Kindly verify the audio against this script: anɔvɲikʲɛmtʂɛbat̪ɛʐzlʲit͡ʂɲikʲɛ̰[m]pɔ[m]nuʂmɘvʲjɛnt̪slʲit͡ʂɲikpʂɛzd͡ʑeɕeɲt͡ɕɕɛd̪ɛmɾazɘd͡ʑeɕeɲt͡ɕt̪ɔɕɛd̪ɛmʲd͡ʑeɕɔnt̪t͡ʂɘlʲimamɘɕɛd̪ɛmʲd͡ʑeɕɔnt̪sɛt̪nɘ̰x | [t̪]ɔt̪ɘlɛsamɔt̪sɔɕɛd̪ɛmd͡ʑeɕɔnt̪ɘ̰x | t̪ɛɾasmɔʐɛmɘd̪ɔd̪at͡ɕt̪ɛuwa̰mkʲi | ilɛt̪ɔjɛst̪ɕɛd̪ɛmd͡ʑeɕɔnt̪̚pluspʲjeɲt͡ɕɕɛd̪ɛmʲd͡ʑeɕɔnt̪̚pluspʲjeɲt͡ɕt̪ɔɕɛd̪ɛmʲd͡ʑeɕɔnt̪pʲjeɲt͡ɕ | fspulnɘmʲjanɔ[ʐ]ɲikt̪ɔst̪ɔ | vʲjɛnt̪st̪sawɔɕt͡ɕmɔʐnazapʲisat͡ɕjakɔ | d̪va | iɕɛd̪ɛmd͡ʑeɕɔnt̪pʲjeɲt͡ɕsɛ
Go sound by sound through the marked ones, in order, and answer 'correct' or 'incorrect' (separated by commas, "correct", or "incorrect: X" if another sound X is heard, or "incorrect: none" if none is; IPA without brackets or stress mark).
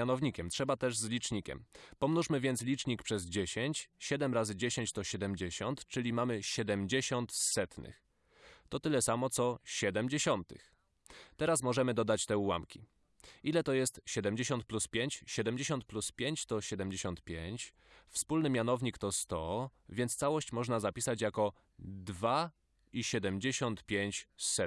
correct, correct, correct, incorrect: v